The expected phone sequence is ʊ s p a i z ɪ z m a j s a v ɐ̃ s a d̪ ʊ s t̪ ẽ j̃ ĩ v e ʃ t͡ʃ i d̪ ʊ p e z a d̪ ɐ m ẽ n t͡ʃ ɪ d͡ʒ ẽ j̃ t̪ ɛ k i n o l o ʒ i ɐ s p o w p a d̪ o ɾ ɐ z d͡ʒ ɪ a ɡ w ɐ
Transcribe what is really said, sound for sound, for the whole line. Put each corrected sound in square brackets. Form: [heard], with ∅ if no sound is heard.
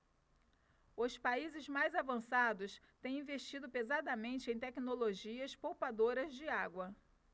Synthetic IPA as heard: ʊ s p a i z ɪ z m a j [z] a v ɐ̃ s a d̪ ʊ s t̪ ẽ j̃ ĩ v e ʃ t͡ʃ i d̪ ʊ p e z a d̪ ɐ m ẽ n t͡ʃ ɪ [∅] ẽ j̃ t̪ ɛ k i n o l o ʒ i ɐ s p o w p a d̪ o ɾ ɐ z d͡ʒ ɪ a ɡ w ɐ